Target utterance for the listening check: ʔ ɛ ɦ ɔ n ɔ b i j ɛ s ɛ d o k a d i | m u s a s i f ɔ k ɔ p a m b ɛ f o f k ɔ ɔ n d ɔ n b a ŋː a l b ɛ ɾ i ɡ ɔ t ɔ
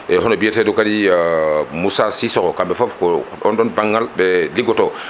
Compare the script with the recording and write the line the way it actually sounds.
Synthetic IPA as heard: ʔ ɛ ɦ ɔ n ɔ b i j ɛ t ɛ d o k a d i | m u s a s i s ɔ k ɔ k a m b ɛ f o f k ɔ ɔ n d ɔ n b a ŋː a l b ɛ l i ɡ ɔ t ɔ